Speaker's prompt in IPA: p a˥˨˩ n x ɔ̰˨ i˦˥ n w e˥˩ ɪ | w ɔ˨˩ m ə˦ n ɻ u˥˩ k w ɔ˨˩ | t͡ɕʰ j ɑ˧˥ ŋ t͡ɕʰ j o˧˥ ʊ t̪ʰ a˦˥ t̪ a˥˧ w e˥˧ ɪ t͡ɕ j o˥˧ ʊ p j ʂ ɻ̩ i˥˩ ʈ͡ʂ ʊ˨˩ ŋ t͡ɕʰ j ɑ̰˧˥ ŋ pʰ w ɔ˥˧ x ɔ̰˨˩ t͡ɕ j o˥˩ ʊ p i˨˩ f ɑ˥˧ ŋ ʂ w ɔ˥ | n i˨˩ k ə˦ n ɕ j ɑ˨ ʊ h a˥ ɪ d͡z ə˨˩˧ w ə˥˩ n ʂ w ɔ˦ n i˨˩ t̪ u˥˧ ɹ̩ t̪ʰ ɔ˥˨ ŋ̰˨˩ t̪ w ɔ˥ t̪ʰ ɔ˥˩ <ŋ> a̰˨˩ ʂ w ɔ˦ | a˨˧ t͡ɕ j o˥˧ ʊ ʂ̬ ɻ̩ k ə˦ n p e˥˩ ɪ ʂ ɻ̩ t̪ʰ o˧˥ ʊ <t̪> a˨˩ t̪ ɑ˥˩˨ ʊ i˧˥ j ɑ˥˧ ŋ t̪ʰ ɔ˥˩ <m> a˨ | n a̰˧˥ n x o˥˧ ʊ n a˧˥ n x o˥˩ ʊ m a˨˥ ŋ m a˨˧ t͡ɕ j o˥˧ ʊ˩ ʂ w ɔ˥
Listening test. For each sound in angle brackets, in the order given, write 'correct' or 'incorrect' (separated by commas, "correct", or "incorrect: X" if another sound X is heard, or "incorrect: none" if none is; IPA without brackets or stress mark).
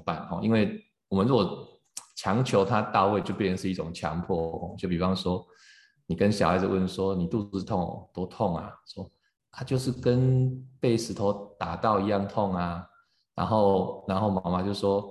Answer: correct, correct, incorrect: ŋ